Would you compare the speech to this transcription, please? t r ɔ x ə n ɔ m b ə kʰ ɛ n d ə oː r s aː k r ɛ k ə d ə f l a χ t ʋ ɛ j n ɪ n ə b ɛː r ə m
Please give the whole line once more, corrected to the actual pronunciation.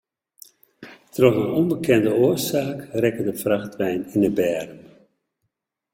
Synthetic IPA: t r ɔ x ə n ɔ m b ə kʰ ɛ n d ə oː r s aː k r ɛ k ə d ə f r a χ t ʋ ɛ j n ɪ n ə b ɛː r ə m